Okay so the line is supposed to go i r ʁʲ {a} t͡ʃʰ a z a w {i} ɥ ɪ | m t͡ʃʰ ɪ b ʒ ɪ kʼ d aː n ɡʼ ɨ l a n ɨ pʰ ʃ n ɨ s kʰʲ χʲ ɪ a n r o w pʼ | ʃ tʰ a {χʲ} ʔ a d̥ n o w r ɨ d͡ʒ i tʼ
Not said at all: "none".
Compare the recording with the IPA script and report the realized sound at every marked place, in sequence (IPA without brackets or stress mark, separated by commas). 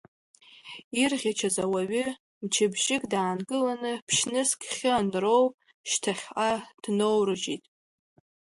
a, a, χʲ